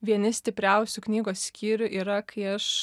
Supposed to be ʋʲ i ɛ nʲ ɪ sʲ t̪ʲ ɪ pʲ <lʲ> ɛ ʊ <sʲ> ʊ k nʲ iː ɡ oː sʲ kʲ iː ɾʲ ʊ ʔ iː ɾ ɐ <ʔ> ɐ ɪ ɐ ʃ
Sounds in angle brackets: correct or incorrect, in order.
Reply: incorrect: ɾʲ, correct, incorrect: k

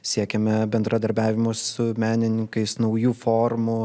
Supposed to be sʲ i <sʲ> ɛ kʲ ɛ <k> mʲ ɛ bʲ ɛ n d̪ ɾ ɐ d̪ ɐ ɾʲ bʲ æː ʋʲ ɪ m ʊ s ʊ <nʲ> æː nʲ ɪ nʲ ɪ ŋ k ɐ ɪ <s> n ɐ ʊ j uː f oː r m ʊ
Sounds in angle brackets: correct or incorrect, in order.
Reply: incorrect: none, incorrect: none, incorrect: mʲ, correct

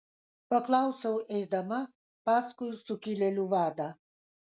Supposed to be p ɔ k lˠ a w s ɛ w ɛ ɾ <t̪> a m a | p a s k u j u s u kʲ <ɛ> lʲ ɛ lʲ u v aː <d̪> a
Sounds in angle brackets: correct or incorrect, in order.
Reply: incorrect: d̪, incorrect: i, correct

